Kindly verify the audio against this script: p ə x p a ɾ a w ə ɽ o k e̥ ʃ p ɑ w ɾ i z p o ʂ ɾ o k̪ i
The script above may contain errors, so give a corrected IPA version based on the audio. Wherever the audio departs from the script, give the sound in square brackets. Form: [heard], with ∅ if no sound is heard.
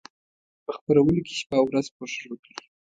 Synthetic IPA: p ə x p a ɾ a w ə [l] o k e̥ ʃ p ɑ w ɾ [a] z p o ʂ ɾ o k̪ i